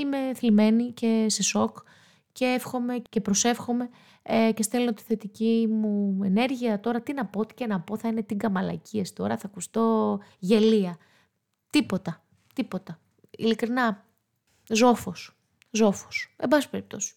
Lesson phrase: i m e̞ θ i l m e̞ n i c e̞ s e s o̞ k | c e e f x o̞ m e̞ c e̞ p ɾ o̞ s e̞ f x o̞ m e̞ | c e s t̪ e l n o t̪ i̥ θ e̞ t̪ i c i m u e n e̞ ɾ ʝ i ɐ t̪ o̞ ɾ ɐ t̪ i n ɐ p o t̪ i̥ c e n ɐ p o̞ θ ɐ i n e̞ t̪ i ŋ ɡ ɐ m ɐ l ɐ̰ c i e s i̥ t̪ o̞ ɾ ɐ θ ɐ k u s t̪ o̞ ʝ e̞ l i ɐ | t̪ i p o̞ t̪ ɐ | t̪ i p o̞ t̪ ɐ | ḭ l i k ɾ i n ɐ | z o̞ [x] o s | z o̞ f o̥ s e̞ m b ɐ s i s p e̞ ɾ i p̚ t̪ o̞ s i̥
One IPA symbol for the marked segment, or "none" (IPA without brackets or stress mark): f